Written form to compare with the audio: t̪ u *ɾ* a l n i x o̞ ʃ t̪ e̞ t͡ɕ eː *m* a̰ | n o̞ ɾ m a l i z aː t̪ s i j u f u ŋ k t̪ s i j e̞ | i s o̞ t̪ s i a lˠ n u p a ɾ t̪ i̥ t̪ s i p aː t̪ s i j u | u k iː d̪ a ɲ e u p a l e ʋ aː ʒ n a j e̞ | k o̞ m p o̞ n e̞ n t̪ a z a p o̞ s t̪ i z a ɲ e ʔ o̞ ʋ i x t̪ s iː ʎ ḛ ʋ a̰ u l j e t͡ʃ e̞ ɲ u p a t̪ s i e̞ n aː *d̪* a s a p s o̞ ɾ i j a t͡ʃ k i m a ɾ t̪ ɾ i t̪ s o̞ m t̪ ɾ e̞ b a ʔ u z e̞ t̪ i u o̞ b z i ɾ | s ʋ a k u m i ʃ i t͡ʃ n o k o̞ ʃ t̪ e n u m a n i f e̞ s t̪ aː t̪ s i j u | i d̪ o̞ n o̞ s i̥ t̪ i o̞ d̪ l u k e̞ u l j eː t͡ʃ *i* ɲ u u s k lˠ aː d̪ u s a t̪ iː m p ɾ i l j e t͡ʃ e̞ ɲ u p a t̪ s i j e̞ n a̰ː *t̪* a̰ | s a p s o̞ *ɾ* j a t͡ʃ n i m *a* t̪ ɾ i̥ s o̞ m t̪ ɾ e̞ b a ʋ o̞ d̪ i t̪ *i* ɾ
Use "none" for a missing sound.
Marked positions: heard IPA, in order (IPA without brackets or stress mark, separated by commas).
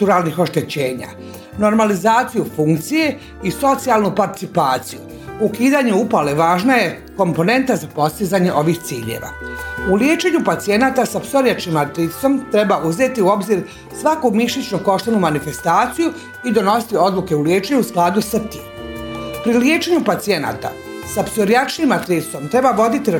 ɾ, ɲ, t̪, e, t̪, ɾ, a, i